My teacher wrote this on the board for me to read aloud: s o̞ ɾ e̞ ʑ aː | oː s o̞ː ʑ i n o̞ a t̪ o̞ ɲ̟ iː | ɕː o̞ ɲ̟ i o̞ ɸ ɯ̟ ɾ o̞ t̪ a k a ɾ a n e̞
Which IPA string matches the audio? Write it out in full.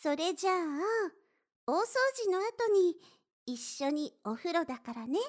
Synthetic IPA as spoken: s o̞ ɾ e̞ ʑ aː | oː s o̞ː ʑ i n o̞ a t̪ o̞ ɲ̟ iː | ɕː o̞ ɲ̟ i o̞ ɸ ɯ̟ ɾ o̞ d̪ a k a ɾ a n e̞